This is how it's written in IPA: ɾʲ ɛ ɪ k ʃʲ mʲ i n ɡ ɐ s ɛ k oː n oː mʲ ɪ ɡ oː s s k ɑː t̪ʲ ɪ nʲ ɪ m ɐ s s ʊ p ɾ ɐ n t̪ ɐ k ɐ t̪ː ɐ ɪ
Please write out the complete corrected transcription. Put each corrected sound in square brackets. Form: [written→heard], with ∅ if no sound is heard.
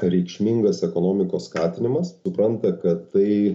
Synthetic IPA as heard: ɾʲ ɛ ɪ k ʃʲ mʲ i [n→ŋ] ɡ ɐ s ɛ k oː n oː mʲ ɪ [ɡ→k] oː s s k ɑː t̪ʲ ɪ nʲ ɪ m ɐ s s ʊ p ɾ ɐ n t̪ ɐ k ɐ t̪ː ɐ ɪ